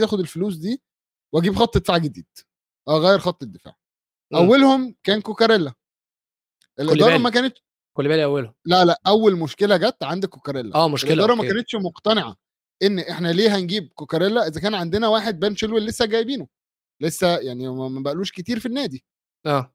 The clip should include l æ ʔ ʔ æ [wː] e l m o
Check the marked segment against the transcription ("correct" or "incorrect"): correct